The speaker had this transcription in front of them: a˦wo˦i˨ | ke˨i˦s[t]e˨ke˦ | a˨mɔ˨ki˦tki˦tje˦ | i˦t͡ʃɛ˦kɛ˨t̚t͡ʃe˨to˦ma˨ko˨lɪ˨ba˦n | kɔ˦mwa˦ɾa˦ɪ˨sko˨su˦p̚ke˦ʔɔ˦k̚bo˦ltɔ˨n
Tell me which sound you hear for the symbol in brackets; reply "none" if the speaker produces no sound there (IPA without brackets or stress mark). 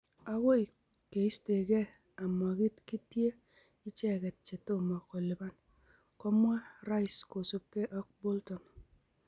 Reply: t